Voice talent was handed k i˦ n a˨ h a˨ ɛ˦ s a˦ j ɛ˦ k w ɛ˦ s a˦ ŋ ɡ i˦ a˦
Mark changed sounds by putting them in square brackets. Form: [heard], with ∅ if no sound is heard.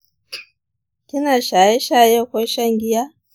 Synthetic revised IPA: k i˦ n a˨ [ʃ] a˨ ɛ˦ [ʃ] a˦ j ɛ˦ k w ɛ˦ [ʃ] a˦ ŋ ɡ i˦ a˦